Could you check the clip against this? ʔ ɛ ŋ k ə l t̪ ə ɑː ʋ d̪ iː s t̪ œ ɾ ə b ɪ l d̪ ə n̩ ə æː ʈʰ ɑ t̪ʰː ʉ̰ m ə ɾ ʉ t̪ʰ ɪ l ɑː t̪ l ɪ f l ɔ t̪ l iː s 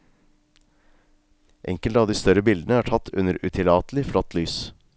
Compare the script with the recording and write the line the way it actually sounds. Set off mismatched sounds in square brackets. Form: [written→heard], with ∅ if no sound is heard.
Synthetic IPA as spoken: ʔ ɛ ŋ k ə l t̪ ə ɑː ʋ d̪ iː s t̪ œ ɾ ə b ɪ l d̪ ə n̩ ə æː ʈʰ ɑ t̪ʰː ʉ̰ [m→n] ə ɾ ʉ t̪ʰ ɪ l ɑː t̪ l ɪ f l ɔ t̪ l [iː→yː] s